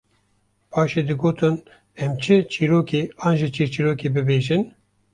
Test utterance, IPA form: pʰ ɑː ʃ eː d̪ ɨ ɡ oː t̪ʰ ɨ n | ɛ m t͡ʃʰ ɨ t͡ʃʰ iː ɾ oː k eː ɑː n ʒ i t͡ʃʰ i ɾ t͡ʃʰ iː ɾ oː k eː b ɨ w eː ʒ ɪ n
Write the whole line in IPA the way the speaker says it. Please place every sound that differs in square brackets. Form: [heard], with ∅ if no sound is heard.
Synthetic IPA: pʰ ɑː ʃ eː d̪ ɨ ɡ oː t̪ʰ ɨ n | ɛ m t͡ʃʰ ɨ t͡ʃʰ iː ɾ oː k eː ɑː n ʒ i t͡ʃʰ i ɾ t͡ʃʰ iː ɾ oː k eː b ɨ [b] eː ʒ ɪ n